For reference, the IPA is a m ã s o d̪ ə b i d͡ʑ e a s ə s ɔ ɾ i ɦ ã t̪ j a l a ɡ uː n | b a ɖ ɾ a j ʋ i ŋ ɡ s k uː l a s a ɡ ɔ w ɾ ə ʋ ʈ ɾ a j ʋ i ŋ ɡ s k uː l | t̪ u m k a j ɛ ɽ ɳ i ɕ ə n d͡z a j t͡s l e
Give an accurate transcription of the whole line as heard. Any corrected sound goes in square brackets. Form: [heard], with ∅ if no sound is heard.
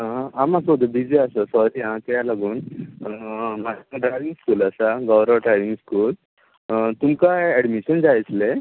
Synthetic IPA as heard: a m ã s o d̪ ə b i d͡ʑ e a s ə s ɔ ɾ i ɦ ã t̪ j a l a ɡ uː n | [m] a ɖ ɾ a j ʋ i ŋ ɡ s k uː l a s a ɡ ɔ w ɾ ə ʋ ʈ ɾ a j ʋ i ŋ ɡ s k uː l | t̪ u m k a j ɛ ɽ [m] i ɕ ə n d͡z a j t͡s l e